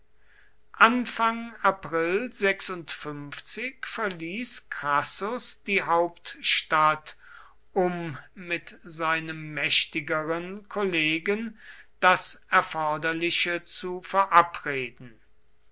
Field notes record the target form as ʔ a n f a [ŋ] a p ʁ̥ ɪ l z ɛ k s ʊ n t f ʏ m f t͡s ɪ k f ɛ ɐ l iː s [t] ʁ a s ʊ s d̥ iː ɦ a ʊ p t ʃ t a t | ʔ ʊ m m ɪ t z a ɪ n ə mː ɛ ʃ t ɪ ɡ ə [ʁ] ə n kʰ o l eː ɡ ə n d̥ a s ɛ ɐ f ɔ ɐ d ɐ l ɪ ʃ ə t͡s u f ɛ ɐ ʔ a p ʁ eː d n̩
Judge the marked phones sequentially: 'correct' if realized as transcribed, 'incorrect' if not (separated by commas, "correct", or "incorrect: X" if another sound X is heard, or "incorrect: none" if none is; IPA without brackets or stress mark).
correct, incorrect: k, correct